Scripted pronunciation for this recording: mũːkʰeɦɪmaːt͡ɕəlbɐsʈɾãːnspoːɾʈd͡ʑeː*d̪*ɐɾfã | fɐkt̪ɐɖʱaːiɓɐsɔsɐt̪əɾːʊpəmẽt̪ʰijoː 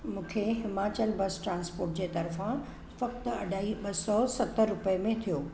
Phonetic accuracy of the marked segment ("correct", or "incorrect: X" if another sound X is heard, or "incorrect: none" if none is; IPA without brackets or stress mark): incorrect: t̪